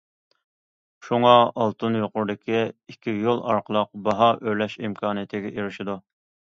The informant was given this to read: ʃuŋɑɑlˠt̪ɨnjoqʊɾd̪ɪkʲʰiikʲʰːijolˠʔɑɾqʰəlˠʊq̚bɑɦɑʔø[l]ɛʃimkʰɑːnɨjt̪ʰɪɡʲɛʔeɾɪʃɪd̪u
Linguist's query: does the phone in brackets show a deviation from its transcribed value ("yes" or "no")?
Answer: no